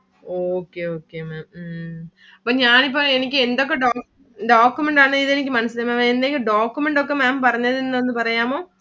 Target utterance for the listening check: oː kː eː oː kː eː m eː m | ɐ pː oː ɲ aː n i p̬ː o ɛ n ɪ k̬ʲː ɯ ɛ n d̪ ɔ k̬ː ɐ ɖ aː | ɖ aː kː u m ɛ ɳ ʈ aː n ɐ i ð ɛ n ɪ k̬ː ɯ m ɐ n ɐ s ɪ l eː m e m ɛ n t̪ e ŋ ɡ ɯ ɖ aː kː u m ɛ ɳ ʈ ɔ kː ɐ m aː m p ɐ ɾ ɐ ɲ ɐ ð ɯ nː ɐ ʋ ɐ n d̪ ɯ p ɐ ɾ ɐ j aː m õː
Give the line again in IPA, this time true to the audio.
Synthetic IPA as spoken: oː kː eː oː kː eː m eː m | ɐ pː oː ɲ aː n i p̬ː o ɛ n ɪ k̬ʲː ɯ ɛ n d̪ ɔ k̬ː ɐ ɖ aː | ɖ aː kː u m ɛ ɳ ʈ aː n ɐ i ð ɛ n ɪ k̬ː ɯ m ɐ n ɐ s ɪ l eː m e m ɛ n d̪ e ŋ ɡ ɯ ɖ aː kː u m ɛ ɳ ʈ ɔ kː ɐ m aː m p ɐ ɾ ɐ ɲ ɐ ð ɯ nː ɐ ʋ ɐ n d̪ ɯ p ɐ ɾ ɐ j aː m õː